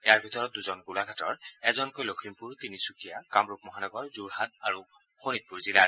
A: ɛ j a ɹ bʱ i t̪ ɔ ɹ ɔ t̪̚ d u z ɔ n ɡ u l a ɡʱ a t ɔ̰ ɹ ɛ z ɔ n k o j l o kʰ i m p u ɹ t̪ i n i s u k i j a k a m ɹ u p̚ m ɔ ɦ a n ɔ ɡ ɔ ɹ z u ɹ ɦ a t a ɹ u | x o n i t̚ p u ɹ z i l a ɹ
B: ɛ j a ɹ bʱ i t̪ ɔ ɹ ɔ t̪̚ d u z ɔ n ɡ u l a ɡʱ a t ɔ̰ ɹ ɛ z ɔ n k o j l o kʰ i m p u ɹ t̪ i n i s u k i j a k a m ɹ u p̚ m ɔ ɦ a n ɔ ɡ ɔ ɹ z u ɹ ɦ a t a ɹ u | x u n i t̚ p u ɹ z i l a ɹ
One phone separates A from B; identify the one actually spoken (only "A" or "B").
A